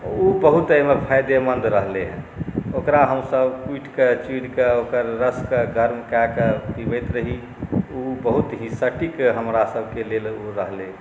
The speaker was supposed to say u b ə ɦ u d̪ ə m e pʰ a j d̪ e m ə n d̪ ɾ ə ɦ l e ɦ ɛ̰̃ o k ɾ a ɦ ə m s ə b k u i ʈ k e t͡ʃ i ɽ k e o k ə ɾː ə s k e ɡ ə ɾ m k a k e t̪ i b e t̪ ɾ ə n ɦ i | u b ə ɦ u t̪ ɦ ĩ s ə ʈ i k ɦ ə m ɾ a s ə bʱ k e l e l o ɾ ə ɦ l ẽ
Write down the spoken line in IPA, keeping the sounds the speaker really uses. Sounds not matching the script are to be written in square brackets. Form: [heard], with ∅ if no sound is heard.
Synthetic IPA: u b ə ɦ u [t̪] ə m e pʰ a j d̪ e m ə n d̪ ɾ ə ɦ l e ɦ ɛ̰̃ o k ɾ a ɦ ə m s ə b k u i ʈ k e t͡ʃ i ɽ k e o k ə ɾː ə s k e ɡ ə ɾ m k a k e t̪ i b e t̪ ɾ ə [∅] ɦ i | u b ə ɦ u t̪ ɦ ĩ s ə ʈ i k ɦ ə m ɾ a s ə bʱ k e l e l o ɾ ə ɦ l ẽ